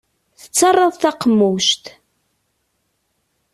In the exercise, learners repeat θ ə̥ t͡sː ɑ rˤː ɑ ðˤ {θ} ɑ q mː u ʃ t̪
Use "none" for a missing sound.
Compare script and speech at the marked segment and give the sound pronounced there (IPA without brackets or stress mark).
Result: θ